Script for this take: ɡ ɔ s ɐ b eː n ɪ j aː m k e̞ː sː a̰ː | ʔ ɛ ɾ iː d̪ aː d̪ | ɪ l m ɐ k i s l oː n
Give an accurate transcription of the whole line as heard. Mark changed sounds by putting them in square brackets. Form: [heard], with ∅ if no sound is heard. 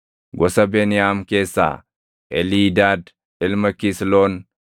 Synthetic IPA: ɡ ɔ s ɐ b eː n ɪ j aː m k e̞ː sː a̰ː | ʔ ɛ [l] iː d̪ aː d̪ | ɪ l m ɐ k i s l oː n